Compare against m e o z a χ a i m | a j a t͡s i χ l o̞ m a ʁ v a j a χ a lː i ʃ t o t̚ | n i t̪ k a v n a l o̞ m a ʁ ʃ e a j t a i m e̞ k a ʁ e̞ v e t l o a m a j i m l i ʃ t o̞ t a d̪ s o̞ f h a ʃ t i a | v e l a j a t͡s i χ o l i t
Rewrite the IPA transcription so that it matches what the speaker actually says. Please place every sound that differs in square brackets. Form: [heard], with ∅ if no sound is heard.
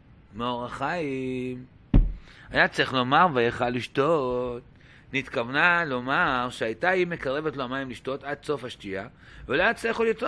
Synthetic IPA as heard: m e o [ʁ] a χ a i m | a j a t͡s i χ l o̞ m a ʁ v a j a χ a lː i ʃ t o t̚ | n i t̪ k a v n a l o̞ m a ʁ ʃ e a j t a i m e̞ k a ʁ e̞ v e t l o a m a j i m l i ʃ t o̞ t a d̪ s o̞ f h a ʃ t i a | v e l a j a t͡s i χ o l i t